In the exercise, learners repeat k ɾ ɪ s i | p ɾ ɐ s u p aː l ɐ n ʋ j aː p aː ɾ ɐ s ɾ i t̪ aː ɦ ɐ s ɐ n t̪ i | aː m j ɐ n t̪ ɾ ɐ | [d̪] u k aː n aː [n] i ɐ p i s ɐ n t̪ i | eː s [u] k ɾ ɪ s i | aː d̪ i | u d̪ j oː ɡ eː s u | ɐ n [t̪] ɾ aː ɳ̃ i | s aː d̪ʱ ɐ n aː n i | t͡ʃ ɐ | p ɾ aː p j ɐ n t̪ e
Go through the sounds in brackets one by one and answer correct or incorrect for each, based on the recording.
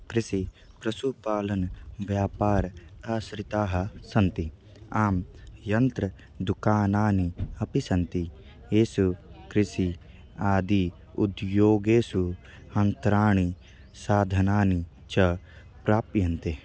correct, correct, correct, correct

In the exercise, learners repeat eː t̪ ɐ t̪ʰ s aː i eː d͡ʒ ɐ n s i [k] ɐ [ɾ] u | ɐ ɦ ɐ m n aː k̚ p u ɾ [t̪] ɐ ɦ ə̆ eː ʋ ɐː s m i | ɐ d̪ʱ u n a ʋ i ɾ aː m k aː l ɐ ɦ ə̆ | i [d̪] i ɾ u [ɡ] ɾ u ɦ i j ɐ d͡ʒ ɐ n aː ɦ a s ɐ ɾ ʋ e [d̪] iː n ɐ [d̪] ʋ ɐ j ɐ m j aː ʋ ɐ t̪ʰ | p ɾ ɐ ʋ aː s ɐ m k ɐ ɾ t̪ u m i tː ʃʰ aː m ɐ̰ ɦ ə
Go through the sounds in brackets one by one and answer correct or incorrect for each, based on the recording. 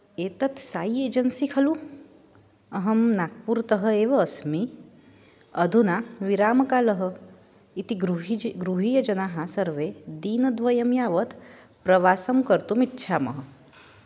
incorrect: kʰ, incorrect: l, correct, incorrect: t̪, correct, correct, correct

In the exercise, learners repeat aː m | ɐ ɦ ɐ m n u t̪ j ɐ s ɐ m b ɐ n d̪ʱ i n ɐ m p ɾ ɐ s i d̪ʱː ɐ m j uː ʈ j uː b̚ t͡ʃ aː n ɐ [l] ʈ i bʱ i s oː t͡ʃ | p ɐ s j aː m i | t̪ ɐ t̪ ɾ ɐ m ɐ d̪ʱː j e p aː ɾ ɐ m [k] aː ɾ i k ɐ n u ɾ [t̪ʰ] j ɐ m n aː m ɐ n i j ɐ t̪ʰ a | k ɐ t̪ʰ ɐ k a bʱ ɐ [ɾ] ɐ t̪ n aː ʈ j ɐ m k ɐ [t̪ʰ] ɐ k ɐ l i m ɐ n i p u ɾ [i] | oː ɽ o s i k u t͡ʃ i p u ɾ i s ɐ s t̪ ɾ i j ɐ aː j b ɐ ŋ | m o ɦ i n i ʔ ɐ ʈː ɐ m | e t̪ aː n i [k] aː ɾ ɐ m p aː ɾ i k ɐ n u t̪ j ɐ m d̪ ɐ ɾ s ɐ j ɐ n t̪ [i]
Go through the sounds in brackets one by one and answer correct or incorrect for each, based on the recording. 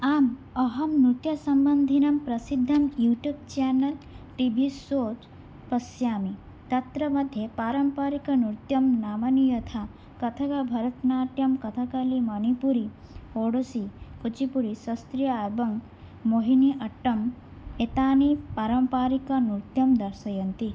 correct, incorrect: p, incorrect: t̪, correct, correct, correct, incorrect: p, correct

